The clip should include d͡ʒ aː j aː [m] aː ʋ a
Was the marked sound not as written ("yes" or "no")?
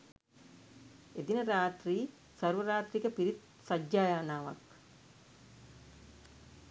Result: yes